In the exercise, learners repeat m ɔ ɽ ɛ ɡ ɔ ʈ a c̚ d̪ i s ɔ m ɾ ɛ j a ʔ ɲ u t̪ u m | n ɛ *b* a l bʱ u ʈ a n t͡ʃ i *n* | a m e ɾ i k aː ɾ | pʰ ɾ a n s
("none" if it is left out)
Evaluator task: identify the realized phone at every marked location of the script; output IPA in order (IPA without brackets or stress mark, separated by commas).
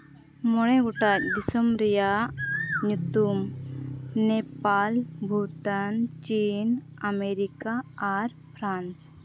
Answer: p, n